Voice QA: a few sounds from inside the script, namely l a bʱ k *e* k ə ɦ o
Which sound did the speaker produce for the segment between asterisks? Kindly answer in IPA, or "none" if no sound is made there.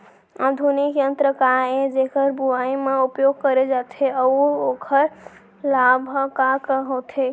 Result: a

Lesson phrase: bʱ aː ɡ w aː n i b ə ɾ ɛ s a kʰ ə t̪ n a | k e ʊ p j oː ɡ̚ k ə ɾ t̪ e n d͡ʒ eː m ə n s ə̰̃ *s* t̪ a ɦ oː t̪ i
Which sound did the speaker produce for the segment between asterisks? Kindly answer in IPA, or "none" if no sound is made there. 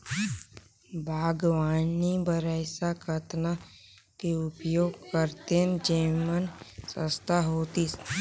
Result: s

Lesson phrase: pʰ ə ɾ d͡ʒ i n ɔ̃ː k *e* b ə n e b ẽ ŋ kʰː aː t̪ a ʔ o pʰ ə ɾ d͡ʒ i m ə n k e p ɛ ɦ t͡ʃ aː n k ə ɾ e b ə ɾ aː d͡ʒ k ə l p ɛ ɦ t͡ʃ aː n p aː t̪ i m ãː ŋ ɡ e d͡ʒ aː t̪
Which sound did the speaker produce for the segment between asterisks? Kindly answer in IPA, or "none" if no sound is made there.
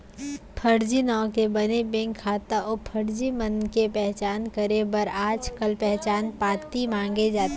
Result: e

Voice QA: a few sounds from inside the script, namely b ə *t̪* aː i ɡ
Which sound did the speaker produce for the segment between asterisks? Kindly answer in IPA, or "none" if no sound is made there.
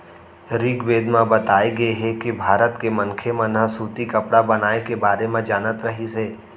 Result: t̪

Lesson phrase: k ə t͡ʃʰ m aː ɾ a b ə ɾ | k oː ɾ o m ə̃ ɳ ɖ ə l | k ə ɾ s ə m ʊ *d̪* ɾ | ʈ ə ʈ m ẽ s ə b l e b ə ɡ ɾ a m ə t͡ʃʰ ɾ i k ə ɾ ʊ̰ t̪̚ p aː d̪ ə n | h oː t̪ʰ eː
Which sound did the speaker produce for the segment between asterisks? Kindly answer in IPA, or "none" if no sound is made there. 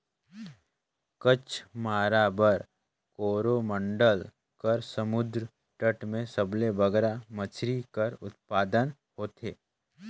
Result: d̪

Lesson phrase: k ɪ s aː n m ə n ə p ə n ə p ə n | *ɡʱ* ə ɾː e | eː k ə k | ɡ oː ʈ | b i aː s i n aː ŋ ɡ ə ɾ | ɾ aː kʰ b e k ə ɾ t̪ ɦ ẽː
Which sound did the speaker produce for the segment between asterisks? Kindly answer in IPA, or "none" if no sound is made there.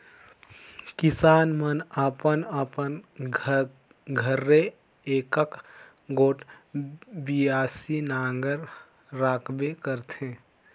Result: ɡʱ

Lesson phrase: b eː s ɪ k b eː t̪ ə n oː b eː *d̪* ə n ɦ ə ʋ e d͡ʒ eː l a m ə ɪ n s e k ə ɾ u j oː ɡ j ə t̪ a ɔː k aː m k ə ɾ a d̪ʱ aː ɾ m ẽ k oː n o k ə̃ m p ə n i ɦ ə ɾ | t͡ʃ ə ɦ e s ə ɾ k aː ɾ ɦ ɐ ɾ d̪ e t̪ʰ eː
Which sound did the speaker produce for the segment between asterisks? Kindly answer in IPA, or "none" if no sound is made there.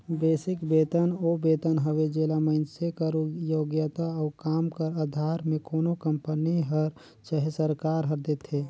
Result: t̪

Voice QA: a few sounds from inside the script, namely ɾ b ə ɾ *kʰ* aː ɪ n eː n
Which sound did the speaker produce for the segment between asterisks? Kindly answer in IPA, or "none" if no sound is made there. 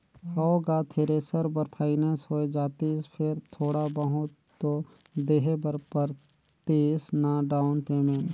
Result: pʰ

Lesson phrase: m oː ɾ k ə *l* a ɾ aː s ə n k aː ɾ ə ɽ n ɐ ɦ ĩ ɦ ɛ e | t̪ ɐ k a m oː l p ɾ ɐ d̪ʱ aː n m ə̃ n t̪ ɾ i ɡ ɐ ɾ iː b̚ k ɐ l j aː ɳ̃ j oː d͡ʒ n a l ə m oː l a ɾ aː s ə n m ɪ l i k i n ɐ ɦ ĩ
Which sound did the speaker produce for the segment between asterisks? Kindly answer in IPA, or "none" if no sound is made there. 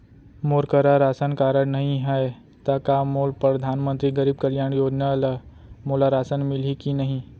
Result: ɾ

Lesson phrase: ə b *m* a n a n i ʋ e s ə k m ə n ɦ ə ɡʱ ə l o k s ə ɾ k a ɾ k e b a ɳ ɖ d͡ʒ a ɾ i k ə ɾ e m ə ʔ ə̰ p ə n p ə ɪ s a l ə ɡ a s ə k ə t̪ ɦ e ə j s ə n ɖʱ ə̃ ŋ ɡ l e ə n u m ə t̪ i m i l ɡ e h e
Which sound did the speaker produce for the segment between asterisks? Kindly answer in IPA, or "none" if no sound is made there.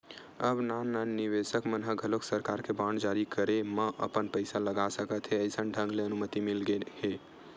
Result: n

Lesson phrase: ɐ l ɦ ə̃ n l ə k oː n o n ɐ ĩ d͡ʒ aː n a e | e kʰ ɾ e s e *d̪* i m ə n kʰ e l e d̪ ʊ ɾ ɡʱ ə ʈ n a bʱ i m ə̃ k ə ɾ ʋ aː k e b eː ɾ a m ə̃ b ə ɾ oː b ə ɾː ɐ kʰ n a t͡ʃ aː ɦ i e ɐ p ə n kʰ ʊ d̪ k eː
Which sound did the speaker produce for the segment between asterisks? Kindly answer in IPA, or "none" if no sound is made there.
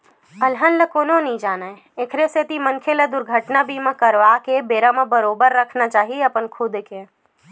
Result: t̪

